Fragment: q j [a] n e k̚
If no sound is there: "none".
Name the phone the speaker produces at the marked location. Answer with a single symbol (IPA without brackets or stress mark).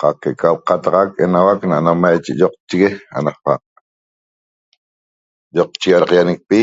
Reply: a